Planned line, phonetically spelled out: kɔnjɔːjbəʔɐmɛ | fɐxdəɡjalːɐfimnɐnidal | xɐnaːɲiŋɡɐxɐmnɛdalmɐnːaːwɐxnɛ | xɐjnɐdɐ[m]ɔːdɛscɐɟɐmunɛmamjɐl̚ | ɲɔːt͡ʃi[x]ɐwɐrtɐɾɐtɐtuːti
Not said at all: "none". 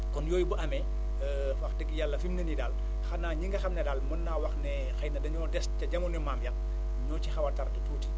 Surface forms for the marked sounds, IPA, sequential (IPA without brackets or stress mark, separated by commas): ɲ, x